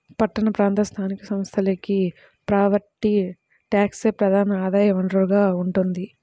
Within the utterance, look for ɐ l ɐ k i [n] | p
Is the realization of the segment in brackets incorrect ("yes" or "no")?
yes